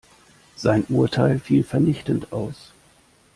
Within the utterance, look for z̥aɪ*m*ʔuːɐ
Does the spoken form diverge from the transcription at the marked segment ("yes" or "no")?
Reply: yes